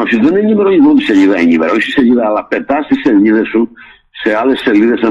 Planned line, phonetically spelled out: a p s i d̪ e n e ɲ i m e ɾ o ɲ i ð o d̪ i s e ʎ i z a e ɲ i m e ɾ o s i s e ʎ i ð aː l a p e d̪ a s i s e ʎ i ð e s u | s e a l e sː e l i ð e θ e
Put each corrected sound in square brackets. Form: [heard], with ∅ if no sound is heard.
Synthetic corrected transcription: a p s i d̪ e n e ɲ i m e ɾ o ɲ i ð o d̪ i s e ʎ i [ð] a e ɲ i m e ɾ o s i s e ʎ i ð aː l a p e [t̪] a s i s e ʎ i ð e s u | s e a l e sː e l i ð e [s] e